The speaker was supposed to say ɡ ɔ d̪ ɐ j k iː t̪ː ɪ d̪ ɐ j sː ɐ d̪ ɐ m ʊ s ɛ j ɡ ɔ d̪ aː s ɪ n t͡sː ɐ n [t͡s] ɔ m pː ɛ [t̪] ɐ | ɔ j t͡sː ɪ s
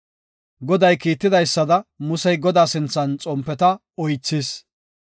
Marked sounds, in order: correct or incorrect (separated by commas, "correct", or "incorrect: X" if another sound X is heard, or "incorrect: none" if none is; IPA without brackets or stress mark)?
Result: incorrect: t͡sʼ, correct